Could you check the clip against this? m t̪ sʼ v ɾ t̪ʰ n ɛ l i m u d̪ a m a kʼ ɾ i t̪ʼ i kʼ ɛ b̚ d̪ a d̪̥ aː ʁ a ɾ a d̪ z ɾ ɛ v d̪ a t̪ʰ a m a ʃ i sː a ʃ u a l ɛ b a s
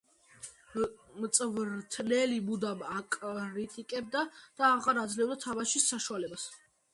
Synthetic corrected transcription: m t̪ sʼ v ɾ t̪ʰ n ɛ l i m u d̪ a m a kʼ ɾ i t̪ʼ i kʼ ɛ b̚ d̪ a d̪̥ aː ʁ a ɾ a d̪ z l ɛ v d̪ a t̪ʰ a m a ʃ i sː a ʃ u a l ɛ b a s